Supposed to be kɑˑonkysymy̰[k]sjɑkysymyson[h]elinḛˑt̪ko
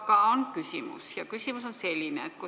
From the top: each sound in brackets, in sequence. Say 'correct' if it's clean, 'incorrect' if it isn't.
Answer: incorrect: none, incorrect: s

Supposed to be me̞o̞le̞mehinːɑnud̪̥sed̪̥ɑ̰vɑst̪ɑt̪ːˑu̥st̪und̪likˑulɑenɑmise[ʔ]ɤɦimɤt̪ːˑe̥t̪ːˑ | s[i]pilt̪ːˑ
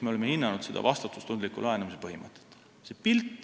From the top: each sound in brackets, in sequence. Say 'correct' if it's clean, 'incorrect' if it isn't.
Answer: incorrect: p, incorrect: e

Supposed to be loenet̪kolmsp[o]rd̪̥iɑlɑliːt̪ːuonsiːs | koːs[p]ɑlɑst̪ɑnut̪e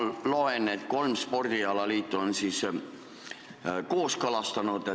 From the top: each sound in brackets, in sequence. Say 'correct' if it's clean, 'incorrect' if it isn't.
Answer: correct, incorrect: k

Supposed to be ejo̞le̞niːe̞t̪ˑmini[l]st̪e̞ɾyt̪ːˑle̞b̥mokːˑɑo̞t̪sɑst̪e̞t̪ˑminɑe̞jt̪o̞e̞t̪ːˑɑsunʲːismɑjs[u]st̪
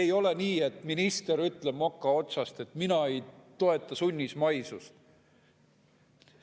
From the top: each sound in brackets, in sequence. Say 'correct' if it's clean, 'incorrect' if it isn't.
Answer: incorrect: none, correct

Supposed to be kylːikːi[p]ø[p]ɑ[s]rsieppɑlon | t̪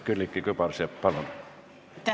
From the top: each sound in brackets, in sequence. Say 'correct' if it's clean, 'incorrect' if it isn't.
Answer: incorrect: k, correct, incorrect: none

